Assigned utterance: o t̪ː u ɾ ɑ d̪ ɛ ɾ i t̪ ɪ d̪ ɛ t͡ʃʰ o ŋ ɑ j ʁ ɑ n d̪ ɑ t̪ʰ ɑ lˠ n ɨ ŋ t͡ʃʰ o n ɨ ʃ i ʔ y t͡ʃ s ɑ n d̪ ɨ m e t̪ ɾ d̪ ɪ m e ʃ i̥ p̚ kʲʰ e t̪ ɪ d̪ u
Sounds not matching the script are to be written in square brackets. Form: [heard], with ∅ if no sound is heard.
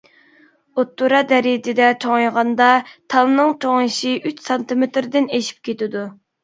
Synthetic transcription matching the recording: o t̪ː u ɾ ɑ d̪ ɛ ɾ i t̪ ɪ d̪ ɛ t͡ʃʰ o ŋ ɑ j ʁ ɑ n d̪ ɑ t̪ʰ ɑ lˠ n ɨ ŋ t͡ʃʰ o [ŋ] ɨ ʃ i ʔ y t͡ʃ s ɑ n [t̪] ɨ m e t̪ ɾ d̪ ɪ [n] e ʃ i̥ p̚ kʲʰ e t̪ ɪ d̪ u